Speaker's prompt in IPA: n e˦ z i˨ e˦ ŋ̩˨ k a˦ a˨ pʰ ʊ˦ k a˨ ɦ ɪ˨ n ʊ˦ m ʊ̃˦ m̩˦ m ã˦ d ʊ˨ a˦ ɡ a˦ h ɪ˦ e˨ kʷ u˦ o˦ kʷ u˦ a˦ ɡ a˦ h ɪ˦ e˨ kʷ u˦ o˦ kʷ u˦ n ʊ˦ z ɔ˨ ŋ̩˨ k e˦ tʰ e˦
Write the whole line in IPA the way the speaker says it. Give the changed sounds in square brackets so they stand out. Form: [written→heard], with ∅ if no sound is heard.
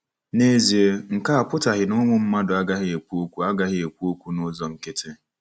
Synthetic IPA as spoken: n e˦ z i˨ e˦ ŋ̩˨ k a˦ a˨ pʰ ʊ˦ [k→t] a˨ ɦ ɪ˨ n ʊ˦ m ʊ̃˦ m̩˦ m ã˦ d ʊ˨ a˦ ɡ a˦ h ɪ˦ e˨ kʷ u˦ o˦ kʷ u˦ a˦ ɡ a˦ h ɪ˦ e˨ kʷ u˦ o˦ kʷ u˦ n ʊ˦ z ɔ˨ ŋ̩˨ k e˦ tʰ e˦